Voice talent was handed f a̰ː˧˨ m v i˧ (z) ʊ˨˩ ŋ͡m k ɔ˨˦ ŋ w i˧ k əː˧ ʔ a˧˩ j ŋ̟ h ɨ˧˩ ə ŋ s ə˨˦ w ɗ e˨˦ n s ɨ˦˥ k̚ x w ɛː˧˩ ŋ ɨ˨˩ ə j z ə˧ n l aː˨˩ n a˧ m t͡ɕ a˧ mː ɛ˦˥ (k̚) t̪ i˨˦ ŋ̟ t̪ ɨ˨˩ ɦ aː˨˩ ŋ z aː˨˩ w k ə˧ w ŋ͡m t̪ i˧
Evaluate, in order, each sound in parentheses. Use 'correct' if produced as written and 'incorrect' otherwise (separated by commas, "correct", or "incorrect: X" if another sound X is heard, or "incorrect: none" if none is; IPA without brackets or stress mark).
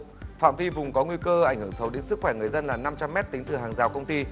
incorrect: v, incorrect: t̚